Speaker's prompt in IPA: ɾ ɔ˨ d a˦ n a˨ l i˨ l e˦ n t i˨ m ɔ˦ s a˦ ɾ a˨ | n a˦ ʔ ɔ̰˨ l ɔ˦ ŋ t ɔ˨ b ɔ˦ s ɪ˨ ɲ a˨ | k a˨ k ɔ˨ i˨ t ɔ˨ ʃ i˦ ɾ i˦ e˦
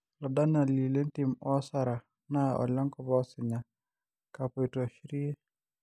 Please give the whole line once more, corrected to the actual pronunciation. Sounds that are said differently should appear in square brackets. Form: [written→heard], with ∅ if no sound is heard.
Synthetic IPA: [ɾ→l] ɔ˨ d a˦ n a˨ l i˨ l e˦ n t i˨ m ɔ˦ s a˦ ɾ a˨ | n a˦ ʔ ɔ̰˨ l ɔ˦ ŋ [t→k] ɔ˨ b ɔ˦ s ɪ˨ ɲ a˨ | k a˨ [k→p] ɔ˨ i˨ t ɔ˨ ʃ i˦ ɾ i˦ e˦